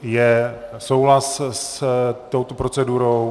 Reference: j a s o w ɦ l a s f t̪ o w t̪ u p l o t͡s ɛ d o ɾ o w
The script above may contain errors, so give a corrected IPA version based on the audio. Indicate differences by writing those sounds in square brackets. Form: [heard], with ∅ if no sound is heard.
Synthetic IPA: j [ɛ] s o w ɦ l a s [s] t̪ o w t̪ [o] p [ɾ] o t͡s ɛ d [u] ɾ o w